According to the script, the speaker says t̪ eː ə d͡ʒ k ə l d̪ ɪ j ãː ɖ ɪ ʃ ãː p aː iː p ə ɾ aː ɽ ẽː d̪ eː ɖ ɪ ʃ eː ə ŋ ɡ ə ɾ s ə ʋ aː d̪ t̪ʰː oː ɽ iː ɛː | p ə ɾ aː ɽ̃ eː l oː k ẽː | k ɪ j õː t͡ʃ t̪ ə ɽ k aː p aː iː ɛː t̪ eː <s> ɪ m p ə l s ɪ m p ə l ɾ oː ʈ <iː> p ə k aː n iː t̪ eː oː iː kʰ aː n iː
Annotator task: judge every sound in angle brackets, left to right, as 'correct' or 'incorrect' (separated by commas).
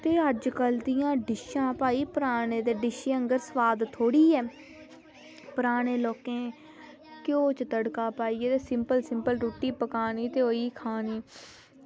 correct, correct